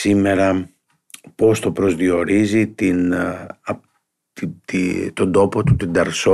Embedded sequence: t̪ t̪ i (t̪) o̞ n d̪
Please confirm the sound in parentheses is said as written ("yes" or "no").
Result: yes